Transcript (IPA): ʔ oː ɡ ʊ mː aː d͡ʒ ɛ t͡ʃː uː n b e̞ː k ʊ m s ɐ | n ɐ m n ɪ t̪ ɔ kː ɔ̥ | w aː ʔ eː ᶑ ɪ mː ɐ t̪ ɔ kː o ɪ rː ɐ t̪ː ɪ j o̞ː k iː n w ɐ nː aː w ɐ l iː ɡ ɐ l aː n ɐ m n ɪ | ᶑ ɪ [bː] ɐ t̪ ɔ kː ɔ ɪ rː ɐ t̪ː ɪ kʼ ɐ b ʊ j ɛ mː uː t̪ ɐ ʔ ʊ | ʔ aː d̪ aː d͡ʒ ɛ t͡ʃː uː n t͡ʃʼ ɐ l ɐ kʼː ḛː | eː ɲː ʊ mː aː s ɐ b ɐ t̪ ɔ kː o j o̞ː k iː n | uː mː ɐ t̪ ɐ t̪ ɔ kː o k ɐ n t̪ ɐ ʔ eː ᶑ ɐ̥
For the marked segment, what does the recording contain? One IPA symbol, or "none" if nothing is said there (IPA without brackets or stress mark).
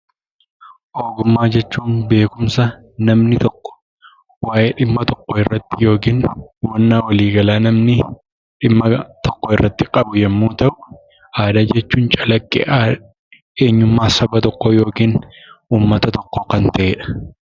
mː